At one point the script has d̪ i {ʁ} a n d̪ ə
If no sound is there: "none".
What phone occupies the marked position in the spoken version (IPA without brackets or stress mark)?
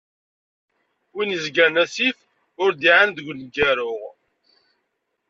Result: ʕ